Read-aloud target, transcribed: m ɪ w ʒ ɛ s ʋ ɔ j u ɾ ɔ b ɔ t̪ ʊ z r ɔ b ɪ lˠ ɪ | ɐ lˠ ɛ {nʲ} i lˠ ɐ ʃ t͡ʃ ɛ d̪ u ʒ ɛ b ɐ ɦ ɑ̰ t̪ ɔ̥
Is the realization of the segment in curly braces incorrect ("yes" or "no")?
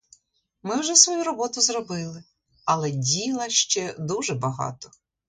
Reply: yes